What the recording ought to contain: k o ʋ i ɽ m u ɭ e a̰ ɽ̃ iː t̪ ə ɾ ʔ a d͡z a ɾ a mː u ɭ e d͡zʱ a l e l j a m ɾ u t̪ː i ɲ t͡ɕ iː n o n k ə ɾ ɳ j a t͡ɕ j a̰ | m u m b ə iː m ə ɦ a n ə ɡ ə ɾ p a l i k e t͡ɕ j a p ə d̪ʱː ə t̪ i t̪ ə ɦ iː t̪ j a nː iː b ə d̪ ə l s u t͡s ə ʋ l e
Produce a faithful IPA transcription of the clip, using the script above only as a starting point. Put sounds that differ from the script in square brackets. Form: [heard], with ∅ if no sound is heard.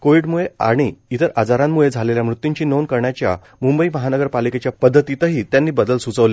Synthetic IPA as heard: k o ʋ i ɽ m u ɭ e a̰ ɽ̃ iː t̪ ə ɾ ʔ a d͡z a ɾ a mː u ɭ e d͡zʱ a l e l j a m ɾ u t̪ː i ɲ t͡ɕ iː n o n k ə ɾ ɳ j a t͡ɕ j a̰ | m u m b ə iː m ə ɦ a n ə ɡ ə ɾ p a l i k e t͡ɕ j a p ə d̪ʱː ə t̪ i t̪ ə ɦ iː t̪ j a nː iː b ə d̪ ə l s u t͡s ə ʋ l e